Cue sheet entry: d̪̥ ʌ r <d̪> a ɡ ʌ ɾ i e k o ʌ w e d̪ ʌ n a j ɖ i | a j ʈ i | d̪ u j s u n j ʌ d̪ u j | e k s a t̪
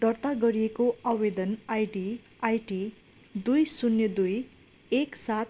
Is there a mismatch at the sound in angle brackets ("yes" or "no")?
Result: yes